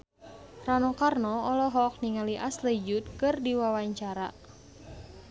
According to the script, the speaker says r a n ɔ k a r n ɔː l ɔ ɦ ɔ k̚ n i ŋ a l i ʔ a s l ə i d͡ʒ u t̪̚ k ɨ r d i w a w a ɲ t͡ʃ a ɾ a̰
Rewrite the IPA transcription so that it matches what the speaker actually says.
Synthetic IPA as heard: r a n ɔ k a r n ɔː l ɔ ɦ ɔ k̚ n i ŋ a l i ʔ a s l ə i d͡ʒ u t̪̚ k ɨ r d i w a w a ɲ t͡ʃ a ɾ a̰